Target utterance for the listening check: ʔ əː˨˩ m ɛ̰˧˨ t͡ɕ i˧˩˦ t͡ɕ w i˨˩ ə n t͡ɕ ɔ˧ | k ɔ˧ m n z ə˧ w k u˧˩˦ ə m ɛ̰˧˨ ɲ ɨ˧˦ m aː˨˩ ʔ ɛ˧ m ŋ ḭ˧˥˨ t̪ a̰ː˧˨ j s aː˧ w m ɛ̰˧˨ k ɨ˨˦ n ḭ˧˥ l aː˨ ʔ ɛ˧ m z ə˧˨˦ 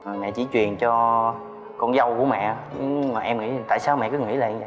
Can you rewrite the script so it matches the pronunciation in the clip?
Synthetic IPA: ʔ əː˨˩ m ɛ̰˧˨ t͡ɕ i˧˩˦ t͡ɕ w i˨˩ ə n t͡ɕ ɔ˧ | k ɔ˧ n z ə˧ w k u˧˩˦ ə m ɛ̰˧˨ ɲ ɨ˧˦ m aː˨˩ ʔ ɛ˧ m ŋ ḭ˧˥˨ t̪ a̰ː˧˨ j s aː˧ w m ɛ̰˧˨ k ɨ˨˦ ŋ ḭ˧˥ l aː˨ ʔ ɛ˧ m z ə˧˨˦